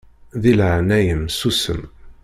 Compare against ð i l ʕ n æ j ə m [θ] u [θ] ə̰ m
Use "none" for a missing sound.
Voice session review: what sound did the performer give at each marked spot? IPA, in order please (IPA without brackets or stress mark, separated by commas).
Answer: s, s